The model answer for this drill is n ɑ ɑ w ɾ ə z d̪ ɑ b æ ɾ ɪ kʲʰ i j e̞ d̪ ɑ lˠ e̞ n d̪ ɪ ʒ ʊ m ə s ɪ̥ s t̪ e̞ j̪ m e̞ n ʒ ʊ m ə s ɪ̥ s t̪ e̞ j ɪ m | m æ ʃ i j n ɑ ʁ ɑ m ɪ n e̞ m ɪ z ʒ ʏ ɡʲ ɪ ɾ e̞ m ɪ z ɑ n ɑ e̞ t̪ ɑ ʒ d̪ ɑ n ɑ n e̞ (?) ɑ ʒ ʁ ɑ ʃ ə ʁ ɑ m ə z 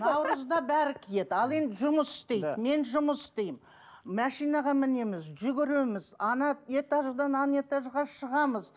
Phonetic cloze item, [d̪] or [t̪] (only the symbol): t̪